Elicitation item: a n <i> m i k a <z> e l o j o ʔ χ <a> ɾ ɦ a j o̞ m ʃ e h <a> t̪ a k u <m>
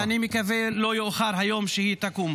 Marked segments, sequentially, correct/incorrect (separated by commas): correct, incorrect, correct, incorrect, correct